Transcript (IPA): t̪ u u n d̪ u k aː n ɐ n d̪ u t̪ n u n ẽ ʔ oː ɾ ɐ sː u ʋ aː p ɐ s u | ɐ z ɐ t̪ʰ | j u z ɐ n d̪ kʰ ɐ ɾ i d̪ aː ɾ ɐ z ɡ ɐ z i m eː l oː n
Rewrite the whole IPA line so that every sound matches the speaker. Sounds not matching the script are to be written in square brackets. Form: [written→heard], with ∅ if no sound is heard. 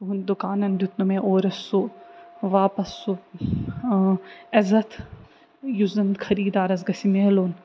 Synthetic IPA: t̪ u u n d̪ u k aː n ɐ n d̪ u t̪ n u [n→m] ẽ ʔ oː ɾ ɐ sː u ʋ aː p ɐ s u | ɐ z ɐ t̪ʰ | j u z ɐ n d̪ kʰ ɐ ɾ [i→iː] d̪ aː ɾ ɐ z ɡ ɐ [z→s] i m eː l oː n

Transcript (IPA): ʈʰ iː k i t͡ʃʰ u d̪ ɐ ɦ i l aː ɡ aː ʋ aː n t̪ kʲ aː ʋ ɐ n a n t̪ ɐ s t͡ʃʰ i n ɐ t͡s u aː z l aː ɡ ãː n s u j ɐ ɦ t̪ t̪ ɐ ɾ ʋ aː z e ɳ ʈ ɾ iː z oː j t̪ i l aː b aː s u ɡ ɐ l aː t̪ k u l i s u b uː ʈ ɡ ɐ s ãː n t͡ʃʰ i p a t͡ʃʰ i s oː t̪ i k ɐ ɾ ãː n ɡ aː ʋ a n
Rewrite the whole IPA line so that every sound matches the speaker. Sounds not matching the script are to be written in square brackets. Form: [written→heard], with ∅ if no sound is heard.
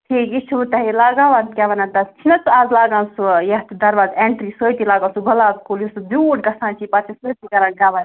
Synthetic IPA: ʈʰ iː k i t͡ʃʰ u [d̪→t̪] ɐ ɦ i l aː ɡ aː ʋ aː n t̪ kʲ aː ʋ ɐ n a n t̪ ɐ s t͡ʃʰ i n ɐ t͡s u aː z l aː ɡ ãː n s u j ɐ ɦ t̪ [t̪→d̪] ɐ ɾ ʋ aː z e ɳ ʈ ɾ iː [z→s] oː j t̪ i l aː [b→ɡ] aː s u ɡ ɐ l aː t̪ k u l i s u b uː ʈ ɡ ɐ s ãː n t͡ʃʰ i p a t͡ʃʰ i s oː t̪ i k ɐ ɾ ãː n ɡ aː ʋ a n

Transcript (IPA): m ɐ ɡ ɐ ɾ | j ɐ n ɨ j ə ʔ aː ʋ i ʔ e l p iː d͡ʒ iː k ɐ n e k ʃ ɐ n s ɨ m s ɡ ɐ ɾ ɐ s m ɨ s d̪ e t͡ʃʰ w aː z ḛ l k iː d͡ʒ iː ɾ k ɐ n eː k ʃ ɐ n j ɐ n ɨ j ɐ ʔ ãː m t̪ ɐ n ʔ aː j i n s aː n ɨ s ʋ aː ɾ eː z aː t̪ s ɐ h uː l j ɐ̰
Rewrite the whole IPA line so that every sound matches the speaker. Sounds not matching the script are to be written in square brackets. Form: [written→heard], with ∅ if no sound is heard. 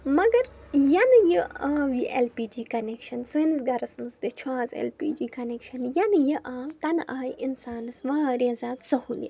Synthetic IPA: m ɐ ɡ ɐ ɾ | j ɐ n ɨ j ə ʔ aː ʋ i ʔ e l p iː d͡ʒ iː k ɐ n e k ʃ ɐ n s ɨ [m→n] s ɡ ɐ ɾ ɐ s m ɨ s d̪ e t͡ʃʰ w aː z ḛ l [k→p] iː d͡ʒ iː [ɾ→∅] k ɐ n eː k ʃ ɐ n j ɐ n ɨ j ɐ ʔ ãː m t̪ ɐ n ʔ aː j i n s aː n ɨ s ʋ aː ɾ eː z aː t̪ s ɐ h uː l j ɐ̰

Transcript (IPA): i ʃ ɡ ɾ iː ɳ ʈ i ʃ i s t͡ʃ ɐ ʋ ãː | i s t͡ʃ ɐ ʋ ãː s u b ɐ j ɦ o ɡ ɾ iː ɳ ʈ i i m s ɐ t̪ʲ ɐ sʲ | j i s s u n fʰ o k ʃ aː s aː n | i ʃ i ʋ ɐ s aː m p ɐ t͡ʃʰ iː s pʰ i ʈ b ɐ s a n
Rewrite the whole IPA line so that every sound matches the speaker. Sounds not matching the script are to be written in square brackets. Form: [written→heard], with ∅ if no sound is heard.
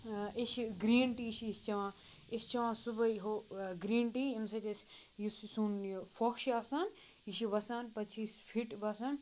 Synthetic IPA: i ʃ ɡ ɾ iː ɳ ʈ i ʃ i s t͡ʃ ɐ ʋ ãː | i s t͡ʃ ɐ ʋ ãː s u b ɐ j ɦ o ɡ ɾ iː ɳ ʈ i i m s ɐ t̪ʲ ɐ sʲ | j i s s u n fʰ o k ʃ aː s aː n | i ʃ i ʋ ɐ s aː [m→n] p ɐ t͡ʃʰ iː s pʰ i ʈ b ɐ s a n

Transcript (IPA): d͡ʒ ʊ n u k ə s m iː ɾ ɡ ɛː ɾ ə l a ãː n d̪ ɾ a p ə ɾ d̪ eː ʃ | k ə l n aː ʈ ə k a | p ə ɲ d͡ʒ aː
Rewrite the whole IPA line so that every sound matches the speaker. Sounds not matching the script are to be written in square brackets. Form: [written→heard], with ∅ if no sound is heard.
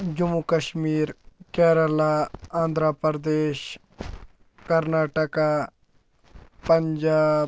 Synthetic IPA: d͡ʒ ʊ [n→m] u k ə [s→ʃ] m iː ɾ [ɡ→k] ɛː ɾ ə l a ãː n d̪ ɾ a p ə ɾ d̪ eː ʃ | k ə [l→ɾ] n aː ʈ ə k a | p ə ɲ d͡ʒ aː

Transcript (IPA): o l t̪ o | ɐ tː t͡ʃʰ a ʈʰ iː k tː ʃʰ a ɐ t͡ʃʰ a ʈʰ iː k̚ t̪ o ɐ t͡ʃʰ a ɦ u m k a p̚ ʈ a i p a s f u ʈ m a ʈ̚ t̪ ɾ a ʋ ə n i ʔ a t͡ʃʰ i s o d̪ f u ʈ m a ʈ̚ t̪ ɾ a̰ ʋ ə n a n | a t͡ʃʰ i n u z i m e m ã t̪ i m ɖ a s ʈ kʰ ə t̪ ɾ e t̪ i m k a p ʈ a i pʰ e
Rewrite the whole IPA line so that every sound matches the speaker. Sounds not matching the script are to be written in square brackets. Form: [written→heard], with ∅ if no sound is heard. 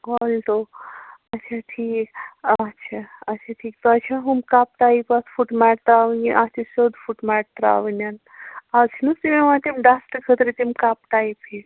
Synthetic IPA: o l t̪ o | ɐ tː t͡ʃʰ a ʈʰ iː k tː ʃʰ a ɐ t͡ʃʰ a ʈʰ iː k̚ t̪ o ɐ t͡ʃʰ a ɦ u m k a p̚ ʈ a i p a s f u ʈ m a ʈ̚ t̪ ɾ a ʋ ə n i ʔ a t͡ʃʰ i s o d̪ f u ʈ m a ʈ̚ t̪ ɾ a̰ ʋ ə n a n | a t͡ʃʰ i n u [z→s] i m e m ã t̪ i m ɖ a s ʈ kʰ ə t̪ ɾ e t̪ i m k a p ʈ a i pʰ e

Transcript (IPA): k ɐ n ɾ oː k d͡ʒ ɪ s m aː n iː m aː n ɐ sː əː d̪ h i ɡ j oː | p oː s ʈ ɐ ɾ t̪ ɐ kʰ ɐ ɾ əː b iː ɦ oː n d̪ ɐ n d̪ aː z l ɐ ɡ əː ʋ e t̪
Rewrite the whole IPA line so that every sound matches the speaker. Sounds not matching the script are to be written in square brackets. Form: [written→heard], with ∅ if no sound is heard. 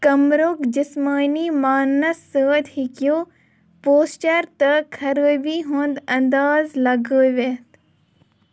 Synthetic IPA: k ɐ [n→m] ɾ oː k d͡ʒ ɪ s m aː n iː m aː n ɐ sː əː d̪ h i [ɡ→k] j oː | p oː s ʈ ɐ ɾ t̪ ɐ kʰ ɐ ɾ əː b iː ɦ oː n d̪ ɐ n d̪ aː z l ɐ ɡ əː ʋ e t̪

